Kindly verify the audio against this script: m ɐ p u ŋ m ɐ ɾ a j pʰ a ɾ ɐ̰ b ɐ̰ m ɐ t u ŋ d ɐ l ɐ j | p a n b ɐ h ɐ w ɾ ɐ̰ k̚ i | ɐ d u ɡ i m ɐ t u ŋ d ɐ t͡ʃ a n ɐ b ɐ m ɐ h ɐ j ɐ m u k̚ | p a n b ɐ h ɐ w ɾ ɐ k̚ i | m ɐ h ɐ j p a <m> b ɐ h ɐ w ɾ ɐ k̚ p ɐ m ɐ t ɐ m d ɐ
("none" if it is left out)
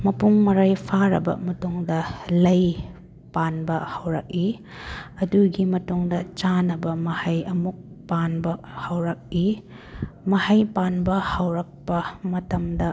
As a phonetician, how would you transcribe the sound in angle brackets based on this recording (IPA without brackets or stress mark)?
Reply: n